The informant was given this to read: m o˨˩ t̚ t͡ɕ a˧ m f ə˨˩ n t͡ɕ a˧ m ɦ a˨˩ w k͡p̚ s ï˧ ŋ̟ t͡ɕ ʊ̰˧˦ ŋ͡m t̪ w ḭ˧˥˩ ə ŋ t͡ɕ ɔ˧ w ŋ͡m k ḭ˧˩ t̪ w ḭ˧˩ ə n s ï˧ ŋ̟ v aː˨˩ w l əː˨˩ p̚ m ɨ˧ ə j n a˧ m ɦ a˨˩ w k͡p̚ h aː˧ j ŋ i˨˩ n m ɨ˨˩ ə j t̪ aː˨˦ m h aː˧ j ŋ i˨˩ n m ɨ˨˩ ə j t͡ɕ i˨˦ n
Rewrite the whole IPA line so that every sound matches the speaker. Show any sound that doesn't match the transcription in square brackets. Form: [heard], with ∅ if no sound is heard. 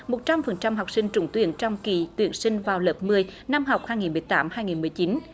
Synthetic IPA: m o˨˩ t̚ t͡ɕ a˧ m f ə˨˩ n t͡ɕ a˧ m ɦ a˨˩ w k͡p̚ s ï˧ ŋ̟ t͡ɕ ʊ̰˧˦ ŋ͡m t̪ w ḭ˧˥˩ ə [n] t͡ɕ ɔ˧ w ŋ͡m k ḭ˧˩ t̪ w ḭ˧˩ ə n s ï˧ ŋ̟ v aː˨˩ w l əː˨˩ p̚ m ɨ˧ ə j n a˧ m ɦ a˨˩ w k͡p̚ h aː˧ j ŋ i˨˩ n m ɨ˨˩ ə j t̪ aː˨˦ m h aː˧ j ŋ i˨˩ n m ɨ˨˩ ə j t͡ɕ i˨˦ n